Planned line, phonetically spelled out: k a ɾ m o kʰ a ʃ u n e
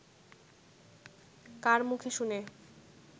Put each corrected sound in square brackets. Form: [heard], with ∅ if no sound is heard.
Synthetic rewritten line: k a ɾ m [u] kʰ [e] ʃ u n e